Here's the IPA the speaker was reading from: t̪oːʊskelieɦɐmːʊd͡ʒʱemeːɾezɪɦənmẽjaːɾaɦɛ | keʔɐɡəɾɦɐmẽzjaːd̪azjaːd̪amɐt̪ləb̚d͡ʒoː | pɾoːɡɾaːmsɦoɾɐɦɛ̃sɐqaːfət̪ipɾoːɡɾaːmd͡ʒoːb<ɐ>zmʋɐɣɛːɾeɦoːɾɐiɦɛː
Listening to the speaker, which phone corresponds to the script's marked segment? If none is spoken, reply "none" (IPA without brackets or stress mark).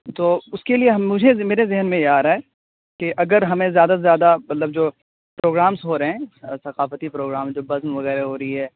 ɐ